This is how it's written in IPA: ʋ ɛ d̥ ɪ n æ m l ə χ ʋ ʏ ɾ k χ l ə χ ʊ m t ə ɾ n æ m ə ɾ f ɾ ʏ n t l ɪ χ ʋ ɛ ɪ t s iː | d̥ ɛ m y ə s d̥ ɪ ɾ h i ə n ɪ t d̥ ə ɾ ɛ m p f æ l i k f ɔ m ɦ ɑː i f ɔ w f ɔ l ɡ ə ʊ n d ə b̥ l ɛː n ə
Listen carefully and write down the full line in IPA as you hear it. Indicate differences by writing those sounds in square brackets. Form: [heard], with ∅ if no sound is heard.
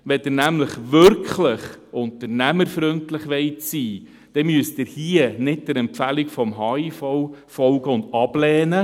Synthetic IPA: ʋ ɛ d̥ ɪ n æ m l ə χ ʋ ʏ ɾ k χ l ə χ ʊ [n] t ə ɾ n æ m ə ɾ f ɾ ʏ n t l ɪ χ ʋ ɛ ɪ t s iː | d̥ ɛ m y ə s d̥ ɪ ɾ h i ə n ɪ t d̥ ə ɾ ɛ m p f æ l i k f ɔ m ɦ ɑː i f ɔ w f ɔ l ɡ ə ʊ n d [ɑ] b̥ l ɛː n ə

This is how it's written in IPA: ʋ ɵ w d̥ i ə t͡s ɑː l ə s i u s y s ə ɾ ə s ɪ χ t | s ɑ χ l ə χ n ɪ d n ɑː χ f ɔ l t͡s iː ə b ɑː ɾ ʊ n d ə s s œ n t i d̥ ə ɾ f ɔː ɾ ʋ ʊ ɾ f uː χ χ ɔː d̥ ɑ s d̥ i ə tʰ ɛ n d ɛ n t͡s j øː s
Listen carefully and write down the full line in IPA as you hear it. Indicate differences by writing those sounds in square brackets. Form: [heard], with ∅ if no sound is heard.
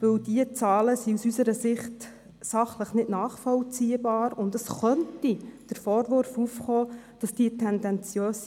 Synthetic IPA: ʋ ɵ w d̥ i ə t͡s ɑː l ə s i u s y s ə ɾ ə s ɪ χ t | s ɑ χ l ə χ n ɪ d n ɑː χ f ɔ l t͡s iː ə b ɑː ɾ ʊ n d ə s [χ] œ n t i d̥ ə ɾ f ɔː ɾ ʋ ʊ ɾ f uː [f] χ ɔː d̥ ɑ s d̥ i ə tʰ ɛ n d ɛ n t͡s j øː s

